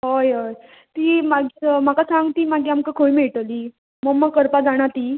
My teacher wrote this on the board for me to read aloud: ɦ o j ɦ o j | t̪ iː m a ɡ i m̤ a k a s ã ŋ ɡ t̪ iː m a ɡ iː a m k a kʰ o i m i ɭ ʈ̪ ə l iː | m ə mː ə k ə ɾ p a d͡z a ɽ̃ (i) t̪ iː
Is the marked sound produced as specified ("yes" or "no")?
no